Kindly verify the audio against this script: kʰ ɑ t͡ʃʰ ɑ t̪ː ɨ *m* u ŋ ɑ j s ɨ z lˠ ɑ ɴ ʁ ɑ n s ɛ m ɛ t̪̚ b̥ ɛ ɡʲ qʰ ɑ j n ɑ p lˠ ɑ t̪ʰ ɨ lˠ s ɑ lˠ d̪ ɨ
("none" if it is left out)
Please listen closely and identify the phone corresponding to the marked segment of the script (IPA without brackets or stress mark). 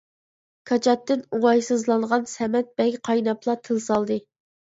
n